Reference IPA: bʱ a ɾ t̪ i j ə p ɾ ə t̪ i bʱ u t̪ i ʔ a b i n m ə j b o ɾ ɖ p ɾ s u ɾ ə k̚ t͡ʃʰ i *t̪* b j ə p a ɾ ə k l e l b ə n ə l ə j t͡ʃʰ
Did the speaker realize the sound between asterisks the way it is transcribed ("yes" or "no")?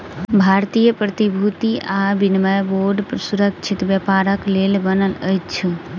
yes